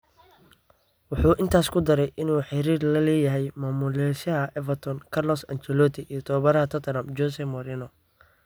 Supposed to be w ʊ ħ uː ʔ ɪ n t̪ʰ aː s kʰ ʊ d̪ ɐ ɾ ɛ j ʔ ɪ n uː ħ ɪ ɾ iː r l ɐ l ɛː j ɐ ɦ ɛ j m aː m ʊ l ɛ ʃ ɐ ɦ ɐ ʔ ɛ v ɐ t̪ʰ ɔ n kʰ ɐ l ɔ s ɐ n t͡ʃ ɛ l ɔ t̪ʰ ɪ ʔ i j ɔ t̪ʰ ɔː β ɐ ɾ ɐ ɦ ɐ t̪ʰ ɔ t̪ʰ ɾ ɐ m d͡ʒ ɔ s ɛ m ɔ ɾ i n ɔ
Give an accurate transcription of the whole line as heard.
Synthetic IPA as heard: w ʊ ħ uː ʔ ɪ n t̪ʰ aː s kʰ ʊ d̪ ɐ ɾ ɛ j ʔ ɪ n uː ħ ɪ ɾ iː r l ɐ l ɛː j ɐ ɦ ɛ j m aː m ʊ l ɛ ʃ ɐ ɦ ɐ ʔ ɛ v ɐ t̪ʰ ɔ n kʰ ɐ l ɔ s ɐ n t͡ʃ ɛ l ɔ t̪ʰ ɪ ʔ i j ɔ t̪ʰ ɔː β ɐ ɾ ɐ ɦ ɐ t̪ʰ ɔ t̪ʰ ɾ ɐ m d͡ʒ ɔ s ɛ m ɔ ɾ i n ɔ